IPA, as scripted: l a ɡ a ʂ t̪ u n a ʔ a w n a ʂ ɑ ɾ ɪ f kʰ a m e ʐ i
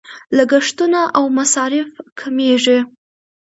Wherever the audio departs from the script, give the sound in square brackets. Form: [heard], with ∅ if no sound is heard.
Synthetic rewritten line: l a ɡ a ʂ t̪ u n a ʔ a w [m] a [s] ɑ ɾ ɪ f kʰ a m e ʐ i